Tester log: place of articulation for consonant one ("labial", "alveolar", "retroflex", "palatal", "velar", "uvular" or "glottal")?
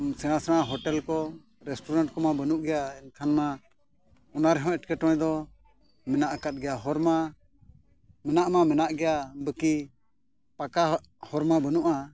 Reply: alveolar